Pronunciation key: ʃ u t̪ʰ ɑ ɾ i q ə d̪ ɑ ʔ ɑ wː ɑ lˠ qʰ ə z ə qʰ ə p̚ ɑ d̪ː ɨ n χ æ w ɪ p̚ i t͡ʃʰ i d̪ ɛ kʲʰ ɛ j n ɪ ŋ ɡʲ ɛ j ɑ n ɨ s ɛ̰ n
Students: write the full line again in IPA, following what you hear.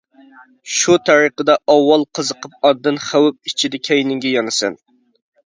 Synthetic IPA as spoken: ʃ u t̪ʰ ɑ ɾ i q ə d̪ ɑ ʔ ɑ wː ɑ lˠ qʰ ə z ə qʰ ə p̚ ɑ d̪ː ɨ n χ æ w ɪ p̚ i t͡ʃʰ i d̪ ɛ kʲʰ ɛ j n ɪ ŋ ɡʲ ɛ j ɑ n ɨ s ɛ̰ n